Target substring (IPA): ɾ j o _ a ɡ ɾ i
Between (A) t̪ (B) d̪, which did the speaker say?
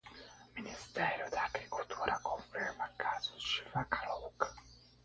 B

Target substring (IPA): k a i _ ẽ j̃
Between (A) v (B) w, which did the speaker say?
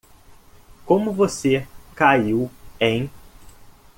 B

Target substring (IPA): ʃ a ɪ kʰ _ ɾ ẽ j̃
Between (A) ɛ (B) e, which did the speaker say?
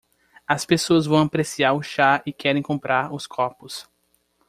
A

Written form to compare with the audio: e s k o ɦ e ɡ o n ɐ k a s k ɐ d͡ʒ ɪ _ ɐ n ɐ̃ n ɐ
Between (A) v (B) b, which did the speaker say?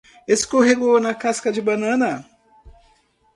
B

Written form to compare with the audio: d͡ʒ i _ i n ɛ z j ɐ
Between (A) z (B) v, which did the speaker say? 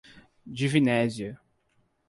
B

